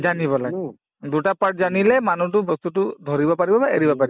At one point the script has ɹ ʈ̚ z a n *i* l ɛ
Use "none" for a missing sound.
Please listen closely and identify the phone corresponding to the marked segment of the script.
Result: i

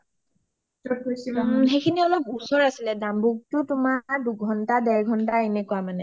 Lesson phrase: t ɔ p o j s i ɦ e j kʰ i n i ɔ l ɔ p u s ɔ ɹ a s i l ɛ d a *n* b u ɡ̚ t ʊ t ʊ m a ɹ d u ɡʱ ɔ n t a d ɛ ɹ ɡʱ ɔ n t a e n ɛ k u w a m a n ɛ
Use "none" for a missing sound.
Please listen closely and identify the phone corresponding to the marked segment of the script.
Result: m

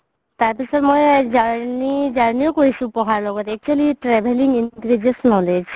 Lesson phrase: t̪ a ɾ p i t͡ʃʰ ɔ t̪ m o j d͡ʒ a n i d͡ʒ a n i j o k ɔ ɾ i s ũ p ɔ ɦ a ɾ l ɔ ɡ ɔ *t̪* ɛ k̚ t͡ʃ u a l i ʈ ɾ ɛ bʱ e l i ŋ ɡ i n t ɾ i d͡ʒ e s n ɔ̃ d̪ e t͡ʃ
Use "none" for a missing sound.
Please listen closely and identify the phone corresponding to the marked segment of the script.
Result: t̪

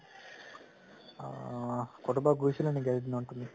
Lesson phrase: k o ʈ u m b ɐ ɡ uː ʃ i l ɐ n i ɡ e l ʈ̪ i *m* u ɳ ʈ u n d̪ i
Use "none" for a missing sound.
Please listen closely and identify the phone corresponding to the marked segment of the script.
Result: n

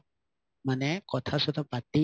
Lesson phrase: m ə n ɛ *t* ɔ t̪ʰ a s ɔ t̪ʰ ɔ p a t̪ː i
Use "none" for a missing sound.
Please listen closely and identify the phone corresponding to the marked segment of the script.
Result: k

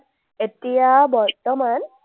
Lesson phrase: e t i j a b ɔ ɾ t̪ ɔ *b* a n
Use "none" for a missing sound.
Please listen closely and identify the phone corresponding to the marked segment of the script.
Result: m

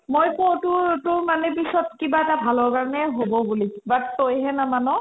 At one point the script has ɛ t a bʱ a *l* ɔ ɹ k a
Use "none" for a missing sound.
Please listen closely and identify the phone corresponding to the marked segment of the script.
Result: l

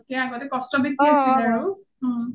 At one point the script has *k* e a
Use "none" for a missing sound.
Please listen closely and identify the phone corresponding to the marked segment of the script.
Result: k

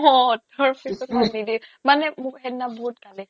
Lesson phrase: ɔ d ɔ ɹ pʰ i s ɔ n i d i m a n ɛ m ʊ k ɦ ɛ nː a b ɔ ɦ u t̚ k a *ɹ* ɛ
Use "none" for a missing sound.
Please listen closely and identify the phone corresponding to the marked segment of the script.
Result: l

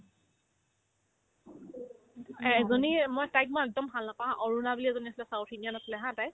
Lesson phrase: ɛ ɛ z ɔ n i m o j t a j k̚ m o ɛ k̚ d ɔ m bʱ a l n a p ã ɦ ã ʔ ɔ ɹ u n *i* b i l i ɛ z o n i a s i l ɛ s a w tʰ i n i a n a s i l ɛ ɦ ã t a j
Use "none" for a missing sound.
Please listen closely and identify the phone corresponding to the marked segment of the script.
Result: a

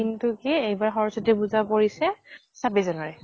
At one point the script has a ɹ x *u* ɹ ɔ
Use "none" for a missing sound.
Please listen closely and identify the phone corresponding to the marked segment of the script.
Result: ɔ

